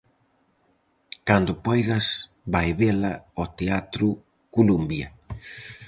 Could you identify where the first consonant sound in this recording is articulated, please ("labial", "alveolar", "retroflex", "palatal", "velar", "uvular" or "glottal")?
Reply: velar